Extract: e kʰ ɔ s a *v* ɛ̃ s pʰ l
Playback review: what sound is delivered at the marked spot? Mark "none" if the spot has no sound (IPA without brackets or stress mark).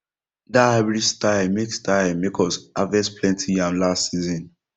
v